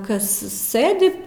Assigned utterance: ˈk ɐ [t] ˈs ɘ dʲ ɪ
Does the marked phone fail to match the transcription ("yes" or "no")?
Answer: yes